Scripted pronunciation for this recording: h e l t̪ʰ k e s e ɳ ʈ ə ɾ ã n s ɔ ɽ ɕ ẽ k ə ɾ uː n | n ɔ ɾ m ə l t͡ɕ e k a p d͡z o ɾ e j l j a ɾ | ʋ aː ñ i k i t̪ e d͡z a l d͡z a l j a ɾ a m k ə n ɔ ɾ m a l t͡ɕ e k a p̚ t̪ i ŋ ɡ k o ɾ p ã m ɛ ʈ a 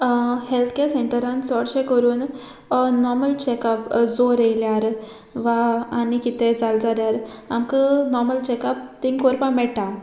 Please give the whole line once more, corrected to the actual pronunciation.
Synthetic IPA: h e l t̪ʰ k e s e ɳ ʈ ə ɾ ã n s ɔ ɽ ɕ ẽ k ə ɾ uː n | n ɔ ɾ m ə l t͡ɕ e k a p d͡z o ɾ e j l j a ɾ | ʋ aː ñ i k i t̪ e d͡z a l d͡z a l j a ɾ a m k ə n ɔ ɾ m ə l t͡ɕ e k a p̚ t̪ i ŋ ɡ k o ɾ p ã m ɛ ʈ a